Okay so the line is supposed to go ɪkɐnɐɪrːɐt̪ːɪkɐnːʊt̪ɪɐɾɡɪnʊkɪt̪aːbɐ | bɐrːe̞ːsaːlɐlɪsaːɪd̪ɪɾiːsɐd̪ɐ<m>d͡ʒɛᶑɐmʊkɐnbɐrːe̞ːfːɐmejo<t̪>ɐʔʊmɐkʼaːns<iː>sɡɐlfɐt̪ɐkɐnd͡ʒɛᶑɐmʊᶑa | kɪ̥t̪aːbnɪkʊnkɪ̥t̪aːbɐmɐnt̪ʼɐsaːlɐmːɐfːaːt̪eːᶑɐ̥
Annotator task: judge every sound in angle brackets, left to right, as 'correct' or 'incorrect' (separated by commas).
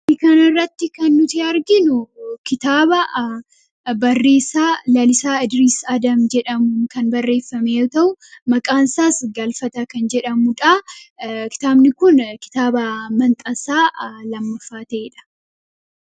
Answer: correct, correct, incorrect